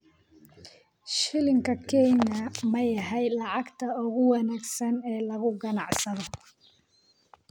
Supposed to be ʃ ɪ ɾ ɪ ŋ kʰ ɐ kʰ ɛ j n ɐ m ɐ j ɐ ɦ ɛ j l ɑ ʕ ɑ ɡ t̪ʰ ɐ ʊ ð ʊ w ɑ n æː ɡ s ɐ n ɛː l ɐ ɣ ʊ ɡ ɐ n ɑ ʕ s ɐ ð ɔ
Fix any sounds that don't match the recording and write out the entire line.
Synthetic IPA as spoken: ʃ ɪ l ɪ ŋ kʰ ɐ kʰ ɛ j n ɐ m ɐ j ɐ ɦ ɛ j l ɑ ʕ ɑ ɡ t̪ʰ ɐ ʊ ɣ ʊ w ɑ n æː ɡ s ɐ n ɛː l ɐ ɣ ʊ ɡ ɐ n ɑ ʕ s ɐ ð ɔ

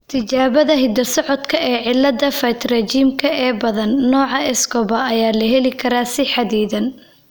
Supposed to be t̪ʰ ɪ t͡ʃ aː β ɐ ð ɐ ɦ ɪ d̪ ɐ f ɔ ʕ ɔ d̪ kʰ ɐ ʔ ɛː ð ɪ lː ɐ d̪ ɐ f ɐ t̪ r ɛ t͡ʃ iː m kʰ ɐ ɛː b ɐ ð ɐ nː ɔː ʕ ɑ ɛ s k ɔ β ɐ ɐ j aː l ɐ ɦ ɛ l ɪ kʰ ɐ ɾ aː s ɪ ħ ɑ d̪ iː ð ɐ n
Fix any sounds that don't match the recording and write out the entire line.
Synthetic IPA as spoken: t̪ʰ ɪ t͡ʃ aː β ɐ ð ɐ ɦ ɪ d̪ ɐ s ɔ ʕ ɔ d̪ kʰ ɐ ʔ ɛː ʕ ɪ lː ɐ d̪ ɐ f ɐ t̪ r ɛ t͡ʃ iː m kʰ ɐ ɛː b ɐ ð ɐ nː ɔː ʕ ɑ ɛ s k ɔ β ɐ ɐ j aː l ɐ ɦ ɛ l ɪ kʰ ɐ ɾ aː s ɪ ħ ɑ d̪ iː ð ɐ n

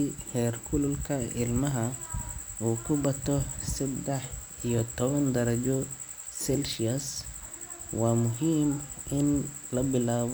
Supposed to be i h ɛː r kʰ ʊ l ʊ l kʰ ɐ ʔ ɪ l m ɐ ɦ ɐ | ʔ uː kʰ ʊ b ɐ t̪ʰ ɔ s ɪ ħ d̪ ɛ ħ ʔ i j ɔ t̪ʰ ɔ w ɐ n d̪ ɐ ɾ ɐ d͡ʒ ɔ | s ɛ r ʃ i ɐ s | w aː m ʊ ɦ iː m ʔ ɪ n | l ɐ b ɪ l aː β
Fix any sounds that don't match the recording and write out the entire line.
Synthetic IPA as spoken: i h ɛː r kʰ ʊ l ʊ l kʰ ɐ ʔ ɪ l m ɐ ɦ ɐ | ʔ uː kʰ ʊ b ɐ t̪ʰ ɔ s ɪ d̪ ɛ ħ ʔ i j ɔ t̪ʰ ɔ β ɐ n d̪ ɐ ɾ ɐ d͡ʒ ɔ | s ɛ l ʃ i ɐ s | w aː m ʊ ɦ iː m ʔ ɪ n | l ɐ b ɪ l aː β

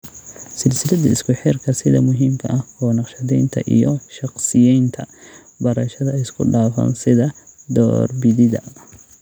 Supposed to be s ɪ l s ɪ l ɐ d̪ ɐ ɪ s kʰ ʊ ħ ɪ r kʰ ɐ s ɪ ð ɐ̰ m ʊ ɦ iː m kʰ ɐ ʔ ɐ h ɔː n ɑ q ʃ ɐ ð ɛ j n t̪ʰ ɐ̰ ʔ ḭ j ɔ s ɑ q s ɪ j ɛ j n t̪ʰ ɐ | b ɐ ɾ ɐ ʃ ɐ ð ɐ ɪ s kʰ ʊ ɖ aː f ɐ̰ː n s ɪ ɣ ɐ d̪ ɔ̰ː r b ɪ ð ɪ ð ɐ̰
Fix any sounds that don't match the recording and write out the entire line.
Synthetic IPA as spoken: s ɪ l s ɪ l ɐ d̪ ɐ ɪ s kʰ ʊ ħ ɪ r kʰ ɐ s ɪ ð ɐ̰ m ʊ ɦ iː m kʰ ɐ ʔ ɐ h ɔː n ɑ q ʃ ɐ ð ɛ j n t̪ʰ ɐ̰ ʔ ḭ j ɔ ʃ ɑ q s ɪ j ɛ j n t̪ʰ ɐ | b ɐ ɾ ɐ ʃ ɐ ð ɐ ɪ s kʰ ʊ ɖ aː f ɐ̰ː n s ɪ ð ɐ d̪ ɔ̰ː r b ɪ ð ɪ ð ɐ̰

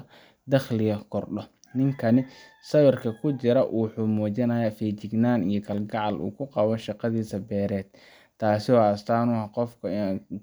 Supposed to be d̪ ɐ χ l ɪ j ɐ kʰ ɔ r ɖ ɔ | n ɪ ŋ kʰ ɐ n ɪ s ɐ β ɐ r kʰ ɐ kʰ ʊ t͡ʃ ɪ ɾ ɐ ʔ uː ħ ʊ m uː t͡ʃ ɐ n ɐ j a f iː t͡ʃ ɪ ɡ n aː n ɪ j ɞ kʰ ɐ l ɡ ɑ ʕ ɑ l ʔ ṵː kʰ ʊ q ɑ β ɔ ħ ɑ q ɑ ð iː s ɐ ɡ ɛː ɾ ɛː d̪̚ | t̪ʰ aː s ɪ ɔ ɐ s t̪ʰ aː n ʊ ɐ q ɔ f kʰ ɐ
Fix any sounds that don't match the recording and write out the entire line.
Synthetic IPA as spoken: d̪ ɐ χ l ɪ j ɐ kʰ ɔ r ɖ ɔ | n ɪ ŋ kʰ ɐ n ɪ s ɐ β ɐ r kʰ ɐ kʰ ʊ t͡ʃ ɪ ɾ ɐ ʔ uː ħ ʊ m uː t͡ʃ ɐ n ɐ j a f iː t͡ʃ ɪ ɡ n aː n i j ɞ kʰ ɐ l ɡ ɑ ʕ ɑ l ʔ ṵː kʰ ʊ q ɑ β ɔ ʃ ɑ q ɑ ð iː s ɐ b ɛː ɾ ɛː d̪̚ | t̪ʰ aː s ɪ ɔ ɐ s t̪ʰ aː n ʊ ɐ q ɔ f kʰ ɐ

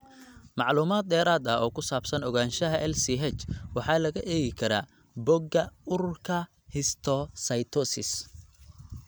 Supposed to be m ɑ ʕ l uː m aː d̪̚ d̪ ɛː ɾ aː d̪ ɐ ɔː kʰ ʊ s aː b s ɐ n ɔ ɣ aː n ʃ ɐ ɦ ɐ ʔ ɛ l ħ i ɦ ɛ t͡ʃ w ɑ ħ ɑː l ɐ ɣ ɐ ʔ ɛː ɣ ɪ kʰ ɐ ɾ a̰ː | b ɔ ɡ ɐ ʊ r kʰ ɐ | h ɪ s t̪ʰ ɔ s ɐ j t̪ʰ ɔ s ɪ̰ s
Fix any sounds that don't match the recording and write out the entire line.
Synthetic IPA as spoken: m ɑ ʕ l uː m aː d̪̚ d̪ ɛː ɾ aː d̪ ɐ ɔː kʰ ʊ s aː b s ɐ n ɔ ɣ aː n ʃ ɐ ɦ ɐ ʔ ɛ l s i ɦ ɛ t͡ʃ w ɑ ħ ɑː l ɐ ɣ ɐ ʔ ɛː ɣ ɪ kʰ ɐ ɾ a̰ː | b ɔ ɡ ɐ ʊ r kʰ ɐ | h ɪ s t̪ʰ ɔ s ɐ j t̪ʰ ɔ s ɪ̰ s

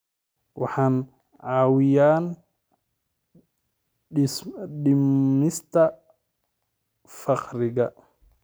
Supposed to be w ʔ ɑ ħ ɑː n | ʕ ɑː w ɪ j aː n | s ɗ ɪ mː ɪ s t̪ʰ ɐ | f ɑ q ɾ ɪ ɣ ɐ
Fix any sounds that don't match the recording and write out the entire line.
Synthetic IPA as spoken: w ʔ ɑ ħ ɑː n | ʕ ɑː w ɪ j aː n | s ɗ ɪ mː ɪ s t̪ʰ ɐ | f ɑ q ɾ ɪ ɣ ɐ

